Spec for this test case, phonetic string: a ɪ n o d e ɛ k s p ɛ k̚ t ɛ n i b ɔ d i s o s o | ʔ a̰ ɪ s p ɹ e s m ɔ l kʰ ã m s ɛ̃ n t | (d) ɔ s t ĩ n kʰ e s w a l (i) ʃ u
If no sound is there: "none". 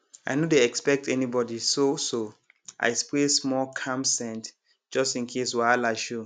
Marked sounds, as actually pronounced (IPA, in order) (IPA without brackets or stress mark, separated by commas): d͡ʒ, a